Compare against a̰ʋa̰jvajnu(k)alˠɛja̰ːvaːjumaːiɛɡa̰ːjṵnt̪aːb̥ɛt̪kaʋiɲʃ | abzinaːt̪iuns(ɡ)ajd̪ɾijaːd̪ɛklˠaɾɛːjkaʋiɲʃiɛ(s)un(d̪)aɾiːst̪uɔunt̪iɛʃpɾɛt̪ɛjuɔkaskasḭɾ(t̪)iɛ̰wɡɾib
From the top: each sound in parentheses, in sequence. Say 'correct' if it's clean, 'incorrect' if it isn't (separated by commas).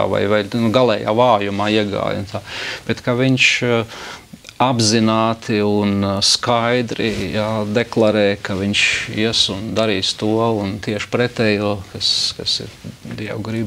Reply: incorrect, incorrect, correct, correct, incorrect